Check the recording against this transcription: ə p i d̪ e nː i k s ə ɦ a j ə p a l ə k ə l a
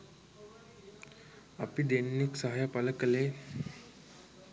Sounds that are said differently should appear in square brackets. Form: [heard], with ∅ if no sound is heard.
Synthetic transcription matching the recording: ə p i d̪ e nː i k s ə ɦ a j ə p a l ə k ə l [e]